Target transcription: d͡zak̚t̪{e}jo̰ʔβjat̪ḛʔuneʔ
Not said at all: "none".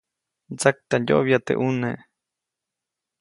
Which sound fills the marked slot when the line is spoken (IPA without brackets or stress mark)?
a